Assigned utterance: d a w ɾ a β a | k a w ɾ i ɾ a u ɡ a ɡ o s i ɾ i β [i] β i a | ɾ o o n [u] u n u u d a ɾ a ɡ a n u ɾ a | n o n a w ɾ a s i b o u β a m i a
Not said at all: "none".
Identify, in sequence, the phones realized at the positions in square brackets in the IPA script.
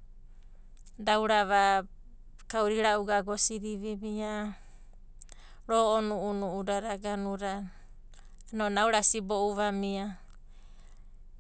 i, u

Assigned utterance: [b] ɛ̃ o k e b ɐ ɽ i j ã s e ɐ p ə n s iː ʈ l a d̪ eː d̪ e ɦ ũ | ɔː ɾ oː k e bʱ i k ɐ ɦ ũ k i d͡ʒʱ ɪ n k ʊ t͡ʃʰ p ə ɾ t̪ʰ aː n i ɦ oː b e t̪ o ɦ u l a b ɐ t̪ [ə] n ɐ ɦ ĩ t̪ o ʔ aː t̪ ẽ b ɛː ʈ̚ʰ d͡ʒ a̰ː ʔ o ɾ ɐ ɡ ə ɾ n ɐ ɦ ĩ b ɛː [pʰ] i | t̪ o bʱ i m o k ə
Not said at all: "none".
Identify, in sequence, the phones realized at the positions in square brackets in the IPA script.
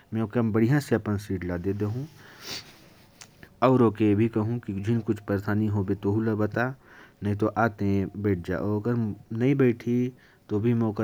m, a, ʈʰ

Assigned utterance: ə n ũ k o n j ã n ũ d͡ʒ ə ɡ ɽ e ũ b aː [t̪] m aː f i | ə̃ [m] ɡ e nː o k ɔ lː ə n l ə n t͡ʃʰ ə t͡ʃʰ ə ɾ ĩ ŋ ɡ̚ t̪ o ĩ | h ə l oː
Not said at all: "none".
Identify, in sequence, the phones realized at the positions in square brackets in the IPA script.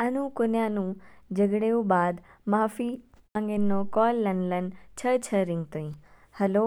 d̪, ŋ

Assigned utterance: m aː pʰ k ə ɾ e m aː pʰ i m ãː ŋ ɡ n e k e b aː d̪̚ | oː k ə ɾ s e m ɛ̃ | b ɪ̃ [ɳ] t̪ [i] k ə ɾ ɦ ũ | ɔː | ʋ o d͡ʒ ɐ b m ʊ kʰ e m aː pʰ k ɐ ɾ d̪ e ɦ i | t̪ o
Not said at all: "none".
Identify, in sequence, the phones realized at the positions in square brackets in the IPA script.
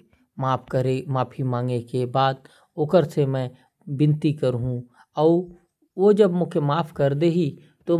n, i

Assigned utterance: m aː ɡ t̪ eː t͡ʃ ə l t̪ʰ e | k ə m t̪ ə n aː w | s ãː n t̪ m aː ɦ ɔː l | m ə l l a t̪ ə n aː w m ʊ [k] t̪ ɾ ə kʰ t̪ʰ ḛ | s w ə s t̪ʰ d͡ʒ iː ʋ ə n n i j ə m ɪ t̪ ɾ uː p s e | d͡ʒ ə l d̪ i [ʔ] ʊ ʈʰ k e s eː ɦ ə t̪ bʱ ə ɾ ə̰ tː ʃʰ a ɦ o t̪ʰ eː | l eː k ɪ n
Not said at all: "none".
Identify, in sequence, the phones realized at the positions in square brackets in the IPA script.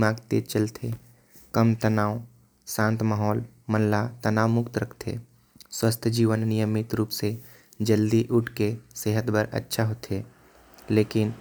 k, ʔ

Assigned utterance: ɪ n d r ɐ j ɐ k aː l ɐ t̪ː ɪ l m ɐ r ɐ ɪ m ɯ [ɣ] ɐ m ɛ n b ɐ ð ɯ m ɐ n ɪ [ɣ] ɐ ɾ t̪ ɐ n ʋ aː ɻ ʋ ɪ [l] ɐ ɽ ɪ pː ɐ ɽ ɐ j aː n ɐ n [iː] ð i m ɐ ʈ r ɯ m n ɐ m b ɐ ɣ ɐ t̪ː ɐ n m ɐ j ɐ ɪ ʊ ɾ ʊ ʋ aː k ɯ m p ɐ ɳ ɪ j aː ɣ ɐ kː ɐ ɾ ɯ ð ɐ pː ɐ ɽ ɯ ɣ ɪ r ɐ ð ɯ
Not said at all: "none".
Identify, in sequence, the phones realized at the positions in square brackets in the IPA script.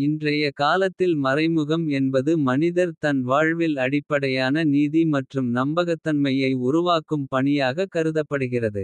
ɣ, ð, l, iː

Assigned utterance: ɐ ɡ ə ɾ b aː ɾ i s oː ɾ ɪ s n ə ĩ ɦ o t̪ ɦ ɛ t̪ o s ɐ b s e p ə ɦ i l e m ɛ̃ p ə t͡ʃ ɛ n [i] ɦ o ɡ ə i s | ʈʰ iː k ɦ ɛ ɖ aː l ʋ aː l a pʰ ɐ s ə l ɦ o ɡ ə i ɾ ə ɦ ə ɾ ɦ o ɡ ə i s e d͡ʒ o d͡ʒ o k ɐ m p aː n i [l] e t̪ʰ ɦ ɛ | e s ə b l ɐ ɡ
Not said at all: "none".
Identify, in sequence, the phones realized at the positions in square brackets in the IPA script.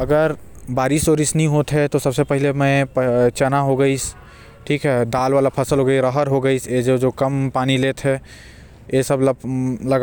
a, l

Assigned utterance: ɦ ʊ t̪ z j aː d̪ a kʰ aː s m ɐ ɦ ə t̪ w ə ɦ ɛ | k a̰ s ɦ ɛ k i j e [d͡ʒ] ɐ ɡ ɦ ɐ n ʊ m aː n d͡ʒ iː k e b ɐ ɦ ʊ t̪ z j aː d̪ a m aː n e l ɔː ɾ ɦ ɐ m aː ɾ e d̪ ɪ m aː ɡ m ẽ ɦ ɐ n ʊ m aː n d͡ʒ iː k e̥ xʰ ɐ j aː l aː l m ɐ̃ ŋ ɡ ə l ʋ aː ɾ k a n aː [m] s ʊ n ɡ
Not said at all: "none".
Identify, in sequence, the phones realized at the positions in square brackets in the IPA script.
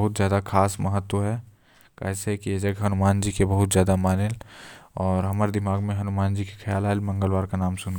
d͡ʒ, m

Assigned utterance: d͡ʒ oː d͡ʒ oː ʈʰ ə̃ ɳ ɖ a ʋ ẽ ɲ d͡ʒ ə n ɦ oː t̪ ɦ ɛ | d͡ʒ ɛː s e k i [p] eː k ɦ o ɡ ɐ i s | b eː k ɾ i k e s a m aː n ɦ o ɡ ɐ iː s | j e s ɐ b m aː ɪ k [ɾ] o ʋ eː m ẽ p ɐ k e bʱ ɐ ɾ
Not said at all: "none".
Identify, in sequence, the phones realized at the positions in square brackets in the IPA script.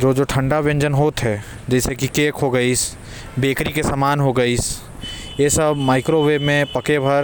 k, ɾ

